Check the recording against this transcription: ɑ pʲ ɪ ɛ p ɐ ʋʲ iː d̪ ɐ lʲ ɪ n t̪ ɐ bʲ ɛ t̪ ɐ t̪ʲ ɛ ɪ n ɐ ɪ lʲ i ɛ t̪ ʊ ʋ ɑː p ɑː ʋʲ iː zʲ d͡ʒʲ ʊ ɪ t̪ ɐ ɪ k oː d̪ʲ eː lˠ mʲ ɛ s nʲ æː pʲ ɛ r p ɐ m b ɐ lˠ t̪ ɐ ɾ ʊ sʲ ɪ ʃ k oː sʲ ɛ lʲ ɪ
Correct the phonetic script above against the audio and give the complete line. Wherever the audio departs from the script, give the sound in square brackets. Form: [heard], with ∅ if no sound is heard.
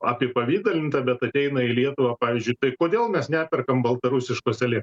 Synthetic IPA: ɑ pʲ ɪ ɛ p ɐ ʋʲ iː d̪ ɐ lʲ ɪ n t̪ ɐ bʲ ɛ t̪ ɐ t̪ʲ ɛ ɪ n ɐ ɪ lʲ i ɛ t̪ ʊ ʋ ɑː p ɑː ʋʲ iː zʲ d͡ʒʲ ʊ ɪ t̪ ɐ ɪ k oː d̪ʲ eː lˠ mʲ ɛ s nʲ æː pʲ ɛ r [k] ɐ m b ɐ lˠ t̪ ɐ ɾ ʊ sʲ ɪ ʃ k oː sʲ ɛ lʲ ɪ

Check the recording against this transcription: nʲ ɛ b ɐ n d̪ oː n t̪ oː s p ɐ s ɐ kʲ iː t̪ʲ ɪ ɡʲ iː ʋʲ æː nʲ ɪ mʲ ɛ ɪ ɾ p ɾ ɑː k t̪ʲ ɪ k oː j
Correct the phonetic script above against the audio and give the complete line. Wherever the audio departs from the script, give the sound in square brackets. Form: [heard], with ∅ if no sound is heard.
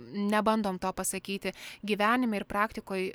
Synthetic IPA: nʲ ɛ b ɐ n d̪ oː [m] t̪ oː [∅] p ɐ s ɐ kʲ iː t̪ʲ ɪ ɡʲ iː ʋʲ æː nʲ ɪ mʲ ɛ ɪ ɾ p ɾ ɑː k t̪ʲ ɪ k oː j

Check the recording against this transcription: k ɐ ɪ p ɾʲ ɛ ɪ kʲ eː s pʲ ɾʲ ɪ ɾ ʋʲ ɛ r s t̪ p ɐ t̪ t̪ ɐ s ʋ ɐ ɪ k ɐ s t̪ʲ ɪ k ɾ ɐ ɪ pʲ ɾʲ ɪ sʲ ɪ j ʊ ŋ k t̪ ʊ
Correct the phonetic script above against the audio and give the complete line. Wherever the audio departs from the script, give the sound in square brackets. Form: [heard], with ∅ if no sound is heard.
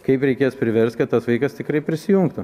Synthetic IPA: k ɐ ɪ p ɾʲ ɛ ɪ kʲ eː s pʲ ɾʲ ɪ [∅] ʋʲ ɛ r s t̪ [k] ɐ t̪ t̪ ɐ s ʋ ɐ ɪ k ɐ s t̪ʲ ɪ k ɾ ɐ ɪ pʲ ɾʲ ɪ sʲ ɪ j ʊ ŋ k t̪ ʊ

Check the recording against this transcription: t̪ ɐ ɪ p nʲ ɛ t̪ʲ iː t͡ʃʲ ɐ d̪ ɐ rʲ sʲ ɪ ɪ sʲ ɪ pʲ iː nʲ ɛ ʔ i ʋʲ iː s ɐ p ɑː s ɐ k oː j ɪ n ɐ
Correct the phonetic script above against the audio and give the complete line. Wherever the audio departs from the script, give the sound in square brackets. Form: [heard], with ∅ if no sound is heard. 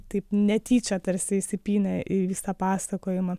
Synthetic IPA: t̪ ɐ ɪ p nʲ ɛ t̪ʲ iː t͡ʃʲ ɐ [t̪] ɐ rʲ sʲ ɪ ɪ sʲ ɪ pʲ iː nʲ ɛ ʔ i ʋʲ iː s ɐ p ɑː s ɐ k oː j ɪ [m] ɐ

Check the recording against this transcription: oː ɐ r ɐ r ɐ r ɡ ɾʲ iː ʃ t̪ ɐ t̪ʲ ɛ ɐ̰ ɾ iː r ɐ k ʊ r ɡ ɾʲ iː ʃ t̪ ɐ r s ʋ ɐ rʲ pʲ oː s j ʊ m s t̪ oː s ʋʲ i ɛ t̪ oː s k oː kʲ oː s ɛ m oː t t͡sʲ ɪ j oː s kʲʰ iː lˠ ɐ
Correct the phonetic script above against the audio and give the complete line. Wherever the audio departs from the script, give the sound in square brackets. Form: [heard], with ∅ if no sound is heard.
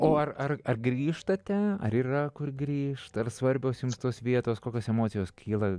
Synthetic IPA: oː ɐ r ɐ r ɐ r ɡ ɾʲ iː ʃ t̪ ɐ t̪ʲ ɛ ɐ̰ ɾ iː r ɐ k ʊ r ɡ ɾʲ iː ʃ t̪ ɐ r s ʋ ɐ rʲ [bʲ] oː s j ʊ m s t̪ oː s ʋʲ i ɛ t̪ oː s k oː kʲ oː s ɛ m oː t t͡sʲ ɪ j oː s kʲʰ iː lˠ ɐ

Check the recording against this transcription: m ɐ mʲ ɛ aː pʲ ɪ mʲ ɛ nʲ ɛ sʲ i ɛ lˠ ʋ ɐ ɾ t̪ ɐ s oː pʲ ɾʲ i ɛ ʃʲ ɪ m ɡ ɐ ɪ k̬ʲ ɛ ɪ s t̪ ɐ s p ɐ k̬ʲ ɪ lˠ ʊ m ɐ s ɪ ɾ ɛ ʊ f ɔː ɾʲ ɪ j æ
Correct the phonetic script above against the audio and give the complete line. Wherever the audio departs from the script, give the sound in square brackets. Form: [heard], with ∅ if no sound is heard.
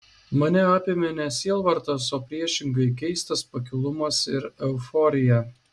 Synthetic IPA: m ɐ [nʲ] ɛ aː pʲ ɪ mʲ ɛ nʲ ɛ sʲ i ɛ lˠ ʋ ɐ ɾ t̪ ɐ s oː pʲ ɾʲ i ɛ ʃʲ ɪ [ŋ] ɡ ɐ ɪ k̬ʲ ɛ ɪ s t̪ ɐ s p ɐ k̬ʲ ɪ lˠ ʊ m ɐ s ɪ ɾ ɛ ʊ f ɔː ɾʲ ɪ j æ

